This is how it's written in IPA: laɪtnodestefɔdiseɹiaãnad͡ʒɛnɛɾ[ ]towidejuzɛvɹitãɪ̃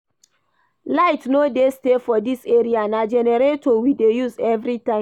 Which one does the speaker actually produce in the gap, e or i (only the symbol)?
e